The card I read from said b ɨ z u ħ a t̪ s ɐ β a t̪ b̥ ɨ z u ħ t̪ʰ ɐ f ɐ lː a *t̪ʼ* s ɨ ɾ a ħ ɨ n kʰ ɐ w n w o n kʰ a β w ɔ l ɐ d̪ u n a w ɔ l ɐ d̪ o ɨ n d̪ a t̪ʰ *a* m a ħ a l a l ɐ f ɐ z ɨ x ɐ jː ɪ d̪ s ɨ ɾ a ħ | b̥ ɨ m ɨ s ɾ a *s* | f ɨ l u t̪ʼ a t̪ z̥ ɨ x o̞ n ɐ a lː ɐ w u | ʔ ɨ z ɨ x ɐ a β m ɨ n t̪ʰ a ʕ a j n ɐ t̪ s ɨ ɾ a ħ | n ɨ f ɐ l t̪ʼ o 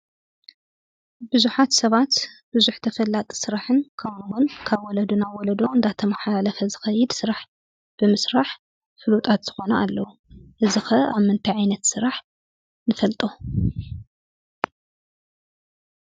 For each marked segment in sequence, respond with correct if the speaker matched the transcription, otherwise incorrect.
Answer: correct, incorrect: ɐ, incorrect: ħ

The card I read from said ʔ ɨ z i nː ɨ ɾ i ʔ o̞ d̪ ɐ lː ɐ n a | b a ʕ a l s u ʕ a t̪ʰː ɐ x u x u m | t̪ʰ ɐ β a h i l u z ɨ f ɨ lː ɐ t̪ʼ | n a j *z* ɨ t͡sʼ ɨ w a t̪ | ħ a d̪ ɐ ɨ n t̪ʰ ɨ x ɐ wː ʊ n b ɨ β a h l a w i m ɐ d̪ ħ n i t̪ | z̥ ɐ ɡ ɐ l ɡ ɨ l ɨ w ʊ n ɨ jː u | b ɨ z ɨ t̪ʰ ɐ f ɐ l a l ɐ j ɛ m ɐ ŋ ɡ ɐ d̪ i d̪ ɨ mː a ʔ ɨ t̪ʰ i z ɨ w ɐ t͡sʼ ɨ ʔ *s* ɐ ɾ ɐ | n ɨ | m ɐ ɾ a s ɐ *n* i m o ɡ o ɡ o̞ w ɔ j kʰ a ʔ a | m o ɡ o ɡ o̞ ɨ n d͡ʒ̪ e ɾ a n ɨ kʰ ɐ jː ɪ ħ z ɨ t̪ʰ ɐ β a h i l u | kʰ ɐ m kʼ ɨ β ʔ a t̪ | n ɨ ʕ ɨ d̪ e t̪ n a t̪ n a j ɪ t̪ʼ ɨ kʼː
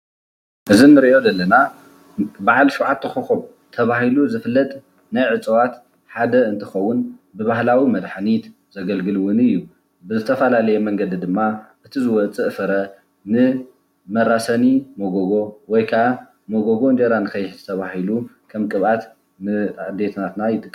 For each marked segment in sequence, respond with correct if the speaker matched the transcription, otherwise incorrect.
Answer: incorrect: ʕ, incorrect: f, correct

